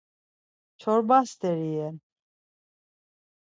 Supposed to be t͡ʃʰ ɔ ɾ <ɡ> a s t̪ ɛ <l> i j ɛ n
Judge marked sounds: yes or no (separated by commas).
no, no